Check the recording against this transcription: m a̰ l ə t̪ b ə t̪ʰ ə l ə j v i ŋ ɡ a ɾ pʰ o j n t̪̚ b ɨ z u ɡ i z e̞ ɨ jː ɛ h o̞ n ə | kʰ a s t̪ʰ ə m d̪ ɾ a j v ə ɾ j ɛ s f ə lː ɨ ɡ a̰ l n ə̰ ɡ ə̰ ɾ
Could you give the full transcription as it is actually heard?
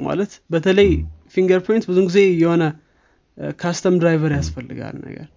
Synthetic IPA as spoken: m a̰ l ə t̪ b ə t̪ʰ ə l ə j f i ŋ ɡ ə ɾ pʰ o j n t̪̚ b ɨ z u ɡ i z e̞ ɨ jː ɛ h o̞ n ə | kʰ a s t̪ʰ ə m d̪ ɾ a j v ə ɾ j a s f ə lː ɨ ɡ a̰ l n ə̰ ɡ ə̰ ɾ